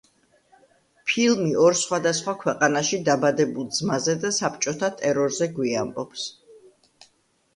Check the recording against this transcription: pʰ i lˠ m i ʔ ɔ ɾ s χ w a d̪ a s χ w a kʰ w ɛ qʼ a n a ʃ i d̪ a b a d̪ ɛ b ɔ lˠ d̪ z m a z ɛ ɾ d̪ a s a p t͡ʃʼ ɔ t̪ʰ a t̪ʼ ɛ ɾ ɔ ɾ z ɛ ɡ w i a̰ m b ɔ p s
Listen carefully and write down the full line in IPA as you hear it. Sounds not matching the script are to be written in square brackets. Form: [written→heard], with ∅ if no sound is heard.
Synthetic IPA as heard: pʰ i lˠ m i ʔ ɔ ɾ s χ w a d̪ a s χ w a kʰ w ɛ qʼ a n a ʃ i d̪ a b a d̪ ɛ b [ɔ→u] lˠ d̪ z m a z ɛ [ɾ→∅] d̪ a s a p t͡ʃʼ ɔ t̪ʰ a t̪ʼ ɛ ɾ ɔ ɾ z ɛ ɡ w i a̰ m b ɔ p s